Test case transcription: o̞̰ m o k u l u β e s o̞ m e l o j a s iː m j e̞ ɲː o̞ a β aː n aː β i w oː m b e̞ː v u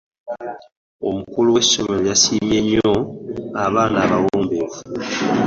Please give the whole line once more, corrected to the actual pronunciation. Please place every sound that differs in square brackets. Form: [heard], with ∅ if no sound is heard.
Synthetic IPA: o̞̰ m [u] k u l u [w] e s o̞ m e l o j a s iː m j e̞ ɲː o̞ a β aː n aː β [a] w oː m b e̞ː v u